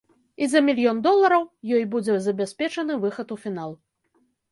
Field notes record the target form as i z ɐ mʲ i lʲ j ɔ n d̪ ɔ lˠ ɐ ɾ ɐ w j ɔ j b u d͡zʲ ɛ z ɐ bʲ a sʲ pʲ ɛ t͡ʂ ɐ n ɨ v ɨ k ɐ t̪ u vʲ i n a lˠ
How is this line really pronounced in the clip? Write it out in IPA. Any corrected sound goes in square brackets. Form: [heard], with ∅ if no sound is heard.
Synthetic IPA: i z ɐ mʲ i lʲ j ɔ n d̪ ɔ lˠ ɐ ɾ ɐ w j ɔ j b u d͡zʲ ɛ z ɐ bʲ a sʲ pʲ ɛ t͡ʂ ɐ n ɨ v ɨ [x] ɐ t̪ u [fʲ] i n a lˠ